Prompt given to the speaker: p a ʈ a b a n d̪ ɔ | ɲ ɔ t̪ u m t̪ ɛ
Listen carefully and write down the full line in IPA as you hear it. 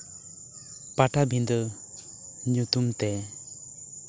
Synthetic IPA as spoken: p a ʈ a b i n d̪ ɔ | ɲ u t̪ u m t̪ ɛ